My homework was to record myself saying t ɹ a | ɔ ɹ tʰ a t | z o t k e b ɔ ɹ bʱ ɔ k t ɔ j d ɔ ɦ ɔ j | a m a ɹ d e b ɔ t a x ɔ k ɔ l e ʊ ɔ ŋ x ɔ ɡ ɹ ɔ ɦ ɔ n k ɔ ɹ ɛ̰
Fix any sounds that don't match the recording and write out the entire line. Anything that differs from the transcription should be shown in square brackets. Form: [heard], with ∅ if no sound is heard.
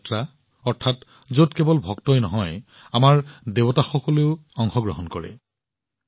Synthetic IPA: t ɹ a | ɔ ɹ tʰ a t | z o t k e b ɔ [l] bʱ ɔ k t ɔ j [n] ɔ ɦ ɔ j | a m a ɹ d e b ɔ t a x ɔ k ɔ l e ʊ ɔ ŋ x ɔ ɡ ɹ ɔ ɦ ɔ n k ɔ ɹ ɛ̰